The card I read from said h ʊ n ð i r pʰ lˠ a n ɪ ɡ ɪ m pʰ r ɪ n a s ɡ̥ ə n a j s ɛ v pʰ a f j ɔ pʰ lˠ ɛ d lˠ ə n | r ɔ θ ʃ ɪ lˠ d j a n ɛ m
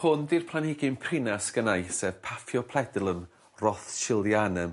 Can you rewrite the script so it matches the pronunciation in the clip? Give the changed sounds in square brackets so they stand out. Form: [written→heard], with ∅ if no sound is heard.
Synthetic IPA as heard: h ʊ n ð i r pʰ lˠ a n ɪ ɡ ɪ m pʰ r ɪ n a s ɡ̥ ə n a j s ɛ v pʰ a f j ɔ pʰ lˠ ɛ d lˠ ə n | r ɔ θ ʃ ɪ lˠ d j a n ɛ m